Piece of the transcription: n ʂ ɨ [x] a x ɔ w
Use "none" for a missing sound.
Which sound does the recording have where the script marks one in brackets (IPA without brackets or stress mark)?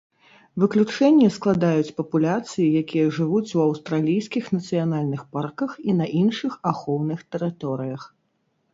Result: x